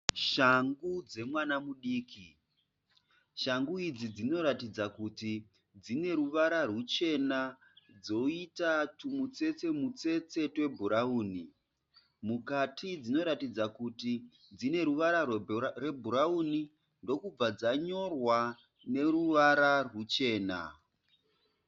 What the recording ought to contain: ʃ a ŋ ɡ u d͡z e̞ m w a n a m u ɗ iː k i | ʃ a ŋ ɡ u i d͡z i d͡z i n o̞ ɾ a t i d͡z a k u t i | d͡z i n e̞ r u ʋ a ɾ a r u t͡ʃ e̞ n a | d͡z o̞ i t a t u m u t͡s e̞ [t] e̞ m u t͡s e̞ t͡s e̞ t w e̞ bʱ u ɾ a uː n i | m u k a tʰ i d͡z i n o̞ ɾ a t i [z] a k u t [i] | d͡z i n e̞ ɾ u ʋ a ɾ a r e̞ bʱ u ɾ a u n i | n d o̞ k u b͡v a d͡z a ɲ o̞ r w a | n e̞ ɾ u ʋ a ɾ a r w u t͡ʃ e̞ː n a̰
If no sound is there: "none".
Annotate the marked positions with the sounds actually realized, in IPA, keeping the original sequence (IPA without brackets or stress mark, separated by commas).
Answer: t͡s, d͡z, i